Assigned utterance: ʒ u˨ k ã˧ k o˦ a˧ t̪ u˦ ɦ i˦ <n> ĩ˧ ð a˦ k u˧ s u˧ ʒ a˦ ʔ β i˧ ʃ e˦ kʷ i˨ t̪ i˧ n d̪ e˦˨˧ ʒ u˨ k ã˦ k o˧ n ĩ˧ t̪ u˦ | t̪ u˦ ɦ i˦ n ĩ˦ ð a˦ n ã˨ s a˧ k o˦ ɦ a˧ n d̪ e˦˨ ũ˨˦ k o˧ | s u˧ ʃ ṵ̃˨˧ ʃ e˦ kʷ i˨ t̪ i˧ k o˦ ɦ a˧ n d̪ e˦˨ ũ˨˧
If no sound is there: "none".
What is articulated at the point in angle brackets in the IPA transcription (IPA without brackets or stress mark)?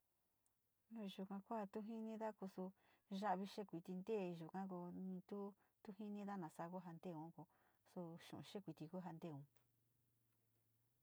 n